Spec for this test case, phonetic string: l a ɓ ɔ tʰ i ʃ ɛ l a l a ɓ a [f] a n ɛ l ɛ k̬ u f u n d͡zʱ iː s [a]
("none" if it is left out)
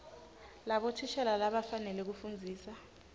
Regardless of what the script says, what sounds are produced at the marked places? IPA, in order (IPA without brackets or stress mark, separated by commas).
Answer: f, a